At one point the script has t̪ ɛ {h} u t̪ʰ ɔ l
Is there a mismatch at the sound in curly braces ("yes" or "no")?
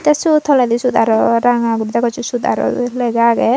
yes